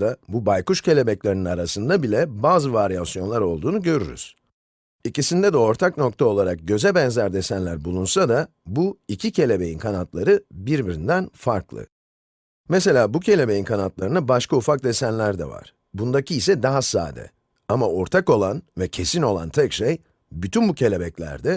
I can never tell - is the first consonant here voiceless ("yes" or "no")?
no